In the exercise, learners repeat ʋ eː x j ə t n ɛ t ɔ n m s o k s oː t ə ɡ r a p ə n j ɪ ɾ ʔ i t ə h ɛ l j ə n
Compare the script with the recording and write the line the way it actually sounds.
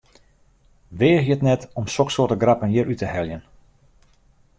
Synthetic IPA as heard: ʋ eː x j ə t n ɛ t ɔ m s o k s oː t ə ɡ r a p ə n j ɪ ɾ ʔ y t ə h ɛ l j ə n

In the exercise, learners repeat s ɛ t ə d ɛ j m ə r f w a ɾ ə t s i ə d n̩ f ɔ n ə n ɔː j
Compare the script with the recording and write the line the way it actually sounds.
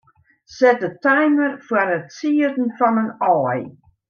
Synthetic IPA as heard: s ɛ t ə t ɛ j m ə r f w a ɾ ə t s i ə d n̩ f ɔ n ə n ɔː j

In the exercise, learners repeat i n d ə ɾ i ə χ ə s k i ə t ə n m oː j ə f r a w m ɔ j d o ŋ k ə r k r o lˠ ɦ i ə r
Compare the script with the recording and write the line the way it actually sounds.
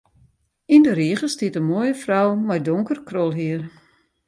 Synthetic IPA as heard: i n d ə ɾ i ə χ ə s t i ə t ə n m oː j ə f r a w m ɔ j d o ŋ k ə r k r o lˠ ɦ i ə r

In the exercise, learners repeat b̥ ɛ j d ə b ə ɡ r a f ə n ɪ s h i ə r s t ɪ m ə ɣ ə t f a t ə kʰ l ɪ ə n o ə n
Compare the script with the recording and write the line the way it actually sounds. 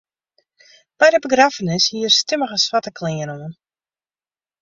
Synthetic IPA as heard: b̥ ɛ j d ə b ə ɡ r a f ə n ɪ s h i ə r s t ɪ m ə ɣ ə s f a t ə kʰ l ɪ ə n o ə n

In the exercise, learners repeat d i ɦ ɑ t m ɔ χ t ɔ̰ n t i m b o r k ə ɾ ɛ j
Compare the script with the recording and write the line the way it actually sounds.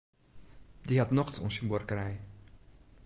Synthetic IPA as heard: d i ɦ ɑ t n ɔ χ t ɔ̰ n s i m b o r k ə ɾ ɛ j

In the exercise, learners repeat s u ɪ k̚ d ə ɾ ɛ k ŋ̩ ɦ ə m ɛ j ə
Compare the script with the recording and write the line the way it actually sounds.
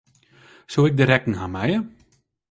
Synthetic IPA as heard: s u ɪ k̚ d ə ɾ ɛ k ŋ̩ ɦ a m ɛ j ə

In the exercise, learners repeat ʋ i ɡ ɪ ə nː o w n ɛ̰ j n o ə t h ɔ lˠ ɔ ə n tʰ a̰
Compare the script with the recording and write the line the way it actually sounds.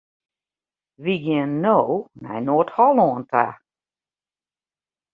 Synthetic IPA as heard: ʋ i ɡ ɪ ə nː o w n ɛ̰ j n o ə t h ɔ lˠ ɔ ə n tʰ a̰

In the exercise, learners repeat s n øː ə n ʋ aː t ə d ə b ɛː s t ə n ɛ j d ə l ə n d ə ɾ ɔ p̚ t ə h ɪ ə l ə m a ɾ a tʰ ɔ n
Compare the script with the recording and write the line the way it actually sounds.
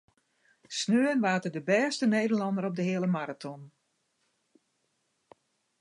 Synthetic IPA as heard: s n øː ə n ʋ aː t ə d ə b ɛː s t ə n e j d ə l ɑ n d ə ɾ ɔ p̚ d ə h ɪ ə l ə m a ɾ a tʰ ɔ n

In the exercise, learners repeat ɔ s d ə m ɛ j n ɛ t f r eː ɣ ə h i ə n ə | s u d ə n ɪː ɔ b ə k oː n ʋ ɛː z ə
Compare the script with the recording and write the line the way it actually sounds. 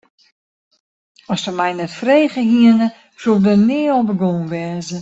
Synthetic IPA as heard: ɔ s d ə m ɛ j n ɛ t f r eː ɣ ə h i ə n ə | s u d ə n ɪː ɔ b ə ɡ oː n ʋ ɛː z ə

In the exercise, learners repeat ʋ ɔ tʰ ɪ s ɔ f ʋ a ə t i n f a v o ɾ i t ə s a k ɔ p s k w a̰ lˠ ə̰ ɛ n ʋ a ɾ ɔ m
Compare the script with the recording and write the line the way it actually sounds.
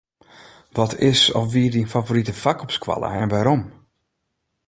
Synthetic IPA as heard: ʋ ɔ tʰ ɪ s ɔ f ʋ i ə d i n f a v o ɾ i t ə f a k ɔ p s k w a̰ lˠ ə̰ ɛ n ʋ a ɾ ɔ m

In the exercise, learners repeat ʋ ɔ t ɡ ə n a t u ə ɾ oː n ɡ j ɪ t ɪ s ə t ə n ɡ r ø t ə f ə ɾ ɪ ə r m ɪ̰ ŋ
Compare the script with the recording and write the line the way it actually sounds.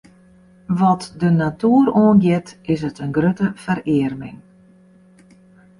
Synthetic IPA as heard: ʋ ɔ t d ə n a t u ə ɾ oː n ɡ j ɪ t ɪ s ə t ə n ɡ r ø t ə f ə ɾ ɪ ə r m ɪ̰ ŋ

